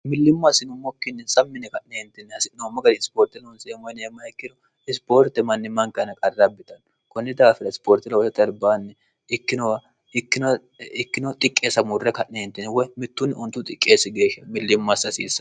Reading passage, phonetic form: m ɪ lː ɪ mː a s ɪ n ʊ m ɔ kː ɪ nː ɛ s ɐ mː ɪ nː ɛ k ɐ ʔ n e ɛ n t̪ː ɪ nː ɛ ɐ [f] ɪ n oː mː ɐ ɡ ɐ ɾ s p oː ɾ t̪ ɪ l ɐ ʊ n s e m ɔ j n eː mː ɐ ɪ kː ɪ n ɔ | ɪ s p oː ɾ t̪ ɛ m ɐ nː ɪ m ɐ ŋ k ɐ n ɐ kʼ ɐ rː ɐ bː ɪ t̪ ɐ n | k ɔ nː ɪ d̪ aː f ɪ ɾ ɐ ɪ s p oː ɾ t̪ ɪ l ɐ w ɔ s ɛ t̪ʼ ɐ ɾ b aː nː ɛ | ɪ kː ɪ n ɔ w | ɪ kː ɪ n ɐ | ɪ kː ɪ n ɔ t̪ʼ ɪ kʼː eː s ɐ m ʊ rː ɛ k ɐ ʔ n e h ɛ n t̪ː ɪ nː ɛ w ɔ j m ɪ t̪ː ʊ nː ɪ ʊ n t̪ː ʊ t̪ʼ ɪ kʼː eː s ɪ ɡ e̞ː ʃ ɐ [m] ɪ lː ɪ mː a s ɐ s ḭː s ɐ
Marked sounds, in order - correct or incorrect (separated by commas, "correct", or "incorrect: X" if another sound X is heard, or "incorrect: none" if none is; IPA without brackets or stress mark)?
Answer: incorrect: s, correct